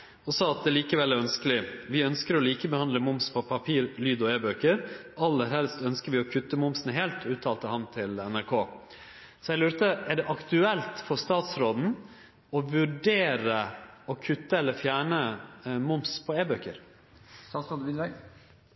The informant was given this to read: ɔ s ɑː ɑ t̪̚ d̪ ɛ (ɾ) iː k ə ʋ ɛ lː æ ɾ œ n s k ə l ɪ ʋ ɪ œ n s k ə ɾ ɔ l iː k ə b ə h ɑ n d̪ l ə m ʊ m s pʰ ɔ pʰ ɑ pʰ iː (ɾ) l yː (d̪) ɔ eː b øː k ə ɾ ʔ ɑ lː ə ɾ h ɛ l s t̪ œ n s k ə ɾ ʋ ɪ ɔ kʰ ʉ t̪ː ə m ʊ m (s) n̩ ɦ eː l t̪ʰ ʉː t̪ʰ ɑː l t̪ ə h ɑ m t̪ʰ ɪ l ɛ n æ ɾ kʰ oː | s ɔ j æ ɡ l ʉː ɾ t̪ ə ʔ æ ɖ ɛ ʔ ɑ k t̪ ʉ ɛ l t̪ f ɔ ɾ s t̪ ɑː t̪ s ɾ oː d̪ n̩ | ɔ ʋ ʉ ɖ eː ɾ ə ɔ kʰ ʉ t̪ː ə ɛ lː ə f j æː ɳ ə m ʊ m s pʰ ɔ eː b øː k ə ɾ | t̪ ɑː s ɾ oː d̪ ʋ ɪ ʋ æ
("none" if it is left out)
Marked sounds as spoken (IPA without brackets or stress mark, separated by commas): l, ɾ, d̪, s